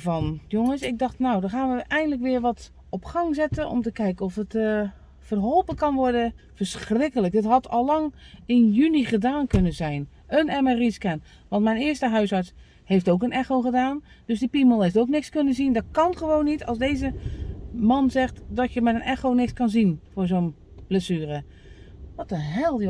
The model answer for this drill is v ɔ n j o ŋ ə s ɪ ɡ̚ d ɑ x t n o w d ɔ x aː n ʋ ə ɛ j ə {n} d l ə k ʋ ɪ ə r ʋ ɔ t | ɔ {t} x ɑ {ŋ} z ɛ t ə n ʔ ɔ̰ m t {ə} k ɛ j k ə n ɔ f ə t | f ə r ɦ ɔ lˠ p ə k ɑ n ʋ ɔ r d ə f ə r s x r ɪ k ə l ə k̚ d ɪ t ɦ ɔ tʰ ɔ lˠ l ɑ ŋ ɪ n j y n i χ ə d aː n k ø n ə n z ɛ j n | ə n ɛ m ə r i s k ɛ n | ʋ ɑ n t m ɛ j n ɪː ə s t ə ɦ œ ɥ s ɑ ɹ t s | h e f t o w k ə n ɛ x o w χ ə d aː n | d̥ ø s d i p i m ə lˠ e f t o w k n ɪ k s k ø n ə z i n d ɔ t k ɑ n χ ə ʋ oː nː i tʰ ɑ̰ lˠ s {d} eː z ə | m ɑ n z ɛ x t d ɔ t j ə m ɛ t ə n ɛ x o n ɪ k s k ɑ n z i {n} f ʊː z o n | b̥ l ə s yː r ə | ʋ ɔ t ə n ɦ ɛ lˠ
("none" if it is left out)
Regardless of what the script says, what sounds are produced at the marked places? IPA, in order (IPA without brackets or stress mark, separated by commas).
n, p, ŋ, ə, d, n